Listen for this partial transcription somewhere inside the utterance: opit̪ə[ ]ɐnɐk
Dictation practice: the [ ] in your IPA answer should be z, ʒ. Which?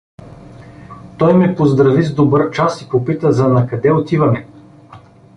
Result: z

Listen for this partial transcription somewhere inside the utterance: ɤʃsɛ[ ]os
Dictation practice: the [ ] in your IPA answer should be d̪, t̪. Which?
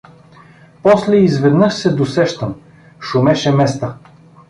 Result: d̪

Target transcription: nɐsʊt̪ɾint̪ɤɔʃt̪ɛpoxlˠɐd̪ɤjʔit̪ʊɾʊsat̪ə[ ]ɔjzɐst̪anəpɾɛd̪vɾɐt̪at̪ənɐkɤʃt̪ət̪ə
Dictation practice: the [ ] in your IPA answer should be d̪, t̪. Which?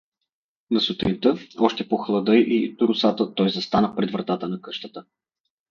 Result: t̪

